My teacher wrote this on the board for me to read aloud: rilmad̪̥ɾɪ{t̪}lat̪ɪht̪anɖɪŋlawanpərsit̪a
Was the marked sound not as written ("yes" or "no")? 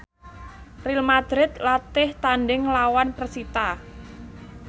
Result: no